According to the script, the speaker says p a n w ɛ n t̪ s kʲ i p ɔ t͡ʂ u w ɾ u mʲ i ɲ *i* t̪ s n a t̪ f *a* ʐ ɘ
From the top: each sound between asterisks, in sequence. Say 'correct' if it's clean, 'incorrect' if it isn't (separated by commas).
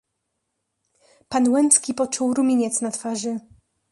incorrect, correct